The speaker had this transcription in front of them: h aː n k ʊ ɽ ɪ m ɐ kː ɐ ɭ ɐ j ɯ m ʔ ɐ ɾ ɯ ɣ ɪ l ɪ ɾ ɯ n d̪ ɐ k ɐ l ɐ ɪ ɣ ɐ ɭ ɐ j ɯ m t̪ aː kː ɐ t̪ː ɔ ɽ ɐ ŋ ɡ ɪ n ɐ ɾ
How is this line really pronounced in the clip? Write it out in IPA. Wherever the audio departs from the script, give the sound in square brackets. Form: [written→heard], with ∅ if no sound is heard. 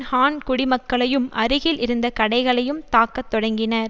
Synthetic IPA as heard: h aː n k ʊ ɽ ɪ m ɐ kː ɐ ɭ ɐ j ɯ m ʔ ɐ ɾ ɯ ɣ ɪ l ɪ ɾ ɯ n d̪ ɐ k ɐ [l→ɽ] ɐ ɪ ɣ ɐ ɭ ɐ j ɯ m t̪ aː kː ɐ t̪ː ɔ ɽ ɐ ŋ ɡ ɪ n ɐ ɾ

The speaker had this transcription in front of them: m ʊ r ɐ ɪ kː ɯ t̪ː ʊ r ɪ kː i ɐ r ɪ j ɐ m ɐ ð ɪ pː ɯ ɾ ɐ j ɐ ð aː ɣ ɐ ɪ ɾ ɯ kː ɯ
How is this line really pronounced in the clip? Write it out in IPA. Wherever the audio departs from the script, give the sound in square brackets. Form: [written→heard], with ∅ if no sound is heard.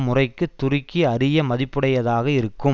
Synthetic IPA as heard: m ʊ r ɐ ɪ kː ɯ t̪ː ʊ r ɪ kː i ɐ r ɪ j ɐ m ɐ ð ɪ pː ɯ [ɾ→ɽ] ɐ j ɐ ð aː ɣ ɐ ɪ ɾ ɯ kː ɯ

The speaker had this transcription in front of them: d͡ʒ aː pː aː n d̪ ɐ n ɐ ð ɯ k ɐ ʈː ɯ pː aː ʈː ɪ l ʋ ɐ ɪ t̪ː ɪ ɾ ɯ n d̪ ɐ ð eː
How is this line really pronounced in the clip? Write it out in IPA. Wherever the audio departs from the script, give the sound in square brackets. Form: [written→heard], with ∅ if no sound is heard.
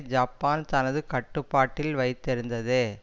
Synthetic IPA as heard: d͡ʒ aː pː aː n [d̪→t̪] ɐ n ɐ ð ɯ k ɐ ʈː ɯ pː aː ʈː ɪ l ʋ ɐ ɪ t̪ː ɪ ɾ ɯ n d̪ ɐ ð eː

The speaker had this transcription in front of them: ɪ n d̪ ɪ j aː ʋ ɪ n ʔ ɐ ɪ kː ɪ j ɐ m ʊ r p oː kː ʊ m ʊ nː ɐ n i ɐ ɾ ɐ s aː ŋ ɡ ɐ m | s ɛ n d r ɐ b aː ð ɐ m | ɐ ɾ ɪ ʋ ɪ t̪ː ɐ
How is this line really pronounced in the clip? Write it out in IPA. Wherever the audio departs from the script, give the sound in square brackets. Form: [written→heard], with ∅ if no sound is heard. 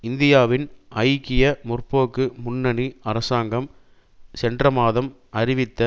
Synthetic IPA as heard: ɪ n d̪ ɪ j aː ʋ ɪ n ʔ ɐ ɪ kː ɪ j ɐ m ʊ r p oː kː [ʊ→ɯ] m ʊ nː ɐ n i ɐ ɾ ɐ s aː ŋ ɡ ɐ m | s ɛ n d r ɐ [b→m] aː ð ɐ m | ɐ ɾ ɪ ʋ ɪ t̪ː ɐ

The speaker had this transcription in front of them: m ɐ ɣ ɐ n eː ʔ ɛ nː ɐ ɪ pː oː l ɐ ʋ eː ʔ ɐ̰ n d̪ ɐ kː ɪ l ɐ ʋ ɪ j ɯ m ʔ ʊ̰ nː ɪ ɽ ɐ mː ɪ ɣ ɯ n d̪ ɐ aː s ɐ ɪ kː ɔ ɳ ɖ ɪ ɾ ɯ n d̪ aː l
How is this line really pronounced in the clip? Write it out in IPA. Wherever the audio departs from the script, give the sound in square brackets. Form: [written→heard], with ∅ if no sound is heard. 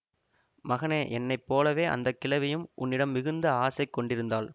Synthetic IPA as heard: m ɐ ɣ ɐ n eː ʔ ɛ nː ɐ ɪ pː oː l ɐ ʋ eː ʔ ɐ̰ n d̪ ɐ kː ɪ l ɐ ʋ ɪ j ɯ m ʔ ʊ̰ nː ɪ ɽ ɐ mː ɪ ɣ ɯ n d̪ ɐ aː s ɐ ɪ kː ɔ ɳ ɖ ɪ ɾ ɯ n d̪ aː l

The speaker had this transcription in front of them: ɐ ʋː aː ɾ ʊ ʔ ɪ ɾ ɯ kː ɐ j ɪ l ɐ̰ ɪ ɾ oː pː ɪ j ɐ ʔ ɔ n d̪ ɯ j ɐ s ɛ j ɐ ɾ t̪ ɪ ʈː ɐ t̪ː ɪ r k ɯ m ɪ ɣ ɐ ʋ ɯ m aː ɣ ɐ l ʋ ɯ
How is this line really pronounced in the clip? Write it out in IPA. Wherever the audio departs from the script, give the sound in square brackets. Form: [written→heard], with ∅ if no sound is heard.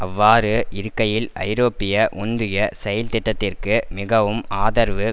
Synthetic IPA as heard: ɐ ʋː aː ɾ [ʊ→ɯ] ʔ ɪ ɾ ɯ kː ɐ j ɪ l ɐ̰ ɪ ɾ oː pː ɪ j ɐ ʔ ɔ n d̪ ɯ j ɐ s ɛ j ɐ [ɾ→l] t̪ ɪ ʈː ɐ t̪ː ɪ r k ɯ m ɪ ɣ ɐ ʋ ɯ m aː [ɣ→ð] ɐ [l→ɾ] ʋ ɯ

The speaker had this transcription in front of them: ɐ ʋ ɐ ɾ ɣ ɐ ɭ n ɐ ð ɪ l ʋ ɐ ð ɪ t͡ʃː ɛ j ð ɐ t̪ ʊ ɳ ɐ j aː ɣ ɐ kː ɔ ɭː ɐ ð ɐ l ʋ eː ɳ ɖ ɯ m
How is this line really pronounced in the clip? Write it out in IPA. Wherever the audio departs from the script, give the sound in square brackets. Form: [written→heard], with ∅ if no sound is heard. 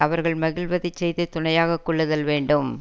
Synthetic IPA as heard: ɐ ʋ ɐ ɾ ɣ ɐ ɭ [n→m] ɐ [ð→ɣ] ɪ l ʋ ɐ ð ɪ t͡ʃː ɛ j ð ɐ t̪ ʊ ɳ ɐ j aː ɣ ɐ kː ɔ ɭː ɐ ð ɐ l ʋ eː ɳ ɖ ɯ m

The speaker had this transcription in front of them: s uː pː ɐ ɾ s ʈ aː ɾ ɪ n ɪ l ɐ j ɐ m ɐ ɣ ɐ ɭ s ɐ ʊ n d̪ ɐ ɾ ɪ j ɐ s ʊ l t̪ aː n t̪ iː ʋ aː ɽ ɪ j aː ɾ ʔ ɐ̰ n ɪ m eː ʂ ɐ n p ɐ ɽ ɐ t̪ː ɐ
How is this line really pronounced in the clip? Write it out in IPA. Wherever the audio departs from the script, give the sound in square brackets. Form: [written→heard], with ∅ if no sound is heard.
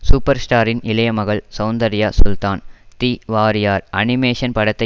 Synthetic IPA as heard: s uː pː ɐ ɾ s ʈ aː ɾ ɪ n ɪ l ɐ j ɐ m ɐ ɣ ɐ ɭ s ɐ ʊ n d̪ ɐ ɾ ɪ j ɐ s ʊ l t̪ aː n t̪ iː ʋ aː [ɽ→ɾ] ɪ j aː ɾ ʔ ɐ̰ n ɪ m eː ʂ ɐ n p ɐ ɽ ɐ t̪ː ɐ

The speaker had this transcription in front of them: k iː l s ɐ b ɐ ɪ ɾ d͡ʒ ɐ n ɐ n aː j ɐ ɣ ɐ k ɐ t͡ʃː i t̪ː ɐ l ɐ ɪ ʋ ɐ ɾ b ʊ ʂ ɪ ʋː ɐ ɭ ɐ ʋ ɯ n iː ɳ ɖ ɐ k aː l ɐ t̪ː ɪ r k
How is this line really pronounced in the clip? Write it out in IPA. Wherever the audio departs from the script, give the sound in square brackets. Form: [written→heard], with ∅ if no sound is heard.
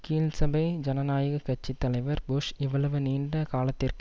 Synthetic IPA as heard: k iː l s ɐ b ɐ ɪ [ɾ→∅] d͡ʒ ɐ n ɐ n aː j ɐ ɣ ɐ k ɐ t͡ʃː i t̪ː ɐ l ɐ ɪ ʋ ɐ ɾ b ʊ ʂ ɪ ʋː ɐ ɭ ɐ ʋ ɯ n iː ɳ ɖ ɐ k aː l ɐ t̪ː ɪ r k

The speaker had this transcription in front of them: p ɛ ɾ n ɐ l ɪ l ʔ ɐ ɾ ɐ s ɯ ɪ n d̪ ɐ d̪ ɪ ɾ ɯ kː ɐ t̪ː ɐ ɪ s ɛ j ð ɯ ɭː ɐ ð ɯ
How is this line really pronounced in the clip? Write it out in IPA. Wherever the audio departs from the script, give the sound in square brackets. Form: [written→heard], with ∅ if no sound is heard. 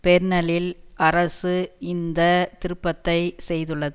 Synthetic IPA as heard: p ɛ ɾ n ɐ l ɪ l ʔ ɐ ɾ ɐ s ɯ ɪ n d̪ ɐ [d̪→t̪] ɪ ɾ ɯ [kː→pː] ɐ t̪ː ɐ ɪ s ɛ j ð ɯ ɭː ɐ ð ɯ

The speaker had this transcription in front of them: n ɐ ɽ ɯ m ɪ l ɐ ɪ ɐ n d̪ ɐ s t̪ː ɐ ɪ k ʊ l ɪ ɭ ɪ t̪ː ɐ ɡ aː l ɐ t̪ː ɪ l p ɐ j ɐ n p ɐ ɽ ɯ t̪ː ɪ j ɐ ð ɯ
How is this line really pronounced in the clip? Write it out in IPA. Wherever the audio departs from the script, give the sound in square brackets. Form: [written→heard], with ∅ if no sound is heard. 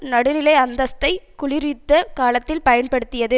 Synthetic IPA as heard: n ɐ ɽ ɯ [m→n] ɪ l ɐ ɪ ɐ n d̪ ɐ s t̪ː ɐ ɪ k ʊ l ɪ [ɭ→ɾ] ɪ t̪ː ɐ [ɡ→k] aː l ɐ t̪ː ɪ l p ɐ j ɐ n p ɐ ɽ ɯ t̪ː ɪ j ɐ ð ɯ

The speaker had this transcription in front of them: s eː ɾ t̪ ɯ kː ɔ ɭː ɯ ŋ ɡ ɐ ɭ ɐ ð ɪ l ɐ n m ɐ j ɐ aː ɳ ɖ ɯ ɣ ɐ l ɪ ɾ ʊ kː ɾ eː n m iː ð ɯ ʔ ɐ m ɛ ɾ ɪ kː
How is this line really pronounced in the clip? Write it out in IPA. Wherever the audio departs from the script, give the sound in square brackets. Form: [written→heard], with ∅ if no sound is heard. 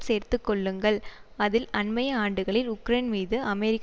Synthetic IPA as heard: s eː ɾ t̪ ɯ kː ɔ ɭː ɯ ŋ ɡ ɐ ɭ ɐ ð ɪ l ɐ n m ɐ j ɐ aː ɳ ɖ ɯ ɣ ɐ [l→ɭ] ɪ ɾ ʊ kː ɾ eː n m iː ð ɯ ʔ ɐ m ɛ ɾ ɪ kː

